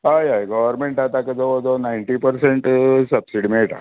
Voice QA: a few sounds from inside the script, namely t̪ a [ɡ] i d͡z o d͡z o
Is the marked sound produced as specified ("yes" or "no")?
no